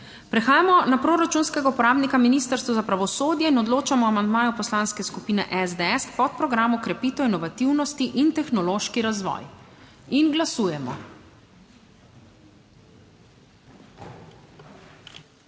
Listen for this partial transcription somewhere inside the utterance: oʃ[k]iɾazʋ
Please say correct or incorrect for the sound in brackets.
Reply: correct